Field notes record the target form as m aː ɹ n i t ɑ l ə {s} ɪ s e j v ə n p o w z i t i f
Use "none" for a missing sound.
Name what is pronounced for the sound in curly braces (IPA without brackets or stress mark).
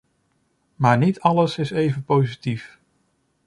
s